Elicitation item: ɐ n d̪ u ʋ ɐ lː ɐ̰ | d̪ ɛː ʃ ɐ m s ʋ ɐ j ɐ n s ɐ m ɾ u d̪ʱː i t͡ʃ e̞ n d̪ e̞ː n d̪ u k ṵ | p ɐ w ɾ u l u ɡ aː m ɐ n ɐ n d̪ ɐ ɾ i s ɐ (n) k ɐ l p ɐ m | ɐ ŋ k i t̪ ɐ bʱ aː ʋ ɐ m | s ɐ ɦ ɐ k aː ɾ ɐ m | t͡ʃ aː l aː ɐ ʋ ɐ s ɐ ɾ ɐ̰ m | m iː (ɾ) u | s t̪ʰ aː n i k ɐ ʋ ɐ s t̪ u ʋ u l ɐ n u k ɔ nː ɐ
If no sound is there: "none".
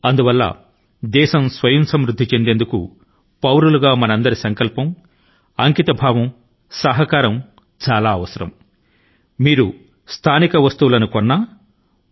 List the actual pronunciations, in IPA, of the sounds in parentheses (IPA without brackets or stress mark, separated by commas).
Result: ŋ, ɾ